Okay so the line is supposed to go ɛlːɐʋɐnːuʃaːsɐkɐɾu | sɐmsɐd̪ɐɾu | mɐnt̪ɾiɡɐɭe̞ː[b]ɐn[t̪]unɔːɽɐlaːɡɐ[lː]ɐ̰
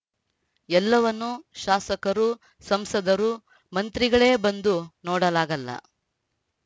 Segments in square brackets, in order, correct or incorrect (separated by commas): correct, incorrect, correct